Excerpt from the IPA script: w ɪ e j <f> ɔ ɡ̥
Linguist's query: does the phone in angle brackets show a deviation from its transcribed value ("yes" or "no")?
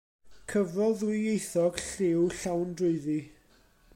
yes